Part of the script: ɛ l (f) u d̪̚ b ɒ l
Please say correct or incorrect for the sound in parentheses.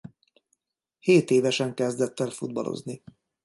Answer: correct